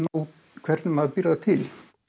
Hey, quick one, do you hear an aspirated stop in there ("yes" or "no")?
yes